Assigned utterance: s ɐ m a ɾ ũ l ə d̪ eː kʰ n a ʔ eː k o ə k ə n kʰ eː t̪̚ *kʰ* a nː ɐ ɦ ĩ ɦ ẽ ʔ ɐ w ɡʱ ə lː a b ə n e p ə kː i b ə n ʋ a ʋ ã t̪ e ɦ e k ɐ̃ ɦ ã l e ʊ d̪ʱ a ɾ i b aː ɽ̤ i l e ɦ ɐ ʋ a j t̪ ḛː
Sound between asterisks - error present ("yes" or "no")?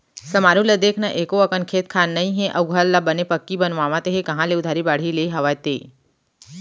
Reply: no